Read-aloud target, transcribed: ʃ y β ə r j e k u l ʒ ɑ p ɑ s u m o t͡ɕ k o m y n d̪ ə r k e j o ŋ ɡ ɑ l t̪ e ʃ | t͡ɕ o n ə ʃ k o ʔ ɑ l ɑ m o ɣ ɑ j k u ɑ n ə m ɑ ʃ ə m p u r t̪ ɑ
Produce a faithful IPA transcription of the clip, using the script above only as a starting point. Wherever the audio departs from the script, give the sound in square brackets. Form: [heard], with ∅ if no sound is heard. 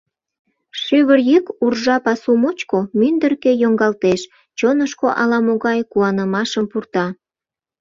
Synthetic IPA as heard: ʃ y β ə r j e k u [r] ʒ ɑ p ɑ s u m o t͡ɕ k o m y n d̪ ə r k e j o ŋ ɡ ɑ l t̪ e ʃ | t͡ɕ o n ə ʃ k o ʔ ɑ l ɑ m o ɣ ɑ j k u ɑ n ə m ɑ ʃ ə m p u r t̪ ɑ